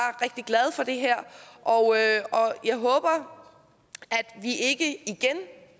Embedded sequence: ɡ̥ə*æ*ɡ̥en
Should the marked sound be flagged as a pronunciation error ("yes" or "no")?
yes